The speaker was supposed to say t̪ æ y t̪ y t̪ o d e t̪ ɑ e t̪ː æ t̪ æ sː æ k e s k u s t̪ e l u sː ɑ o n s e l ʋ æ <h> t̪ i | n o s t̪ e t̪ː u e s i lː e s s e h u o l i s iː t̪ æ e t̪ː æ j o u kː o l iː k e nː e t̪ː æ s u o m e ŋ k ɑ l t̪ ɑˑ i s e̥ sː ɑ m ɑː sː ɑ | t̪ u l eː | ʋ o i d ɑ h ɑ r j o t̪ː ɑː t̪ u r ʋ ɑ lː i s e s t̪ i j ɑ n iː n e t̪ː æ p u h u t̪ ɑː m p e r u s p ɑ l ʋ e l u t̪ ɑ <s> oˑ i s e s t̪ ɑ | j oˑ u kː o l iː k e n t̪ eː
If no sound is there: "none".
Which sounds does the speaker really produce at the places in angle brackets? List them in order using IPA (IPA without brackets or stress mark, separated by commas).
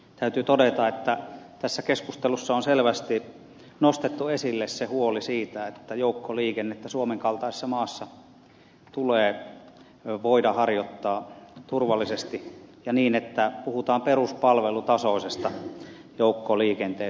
s, s